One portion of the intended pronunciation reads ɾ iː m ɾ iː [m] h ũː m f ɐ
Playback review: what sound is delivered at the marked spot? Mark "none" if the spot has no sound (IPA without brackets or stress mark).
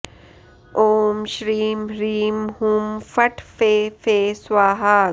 m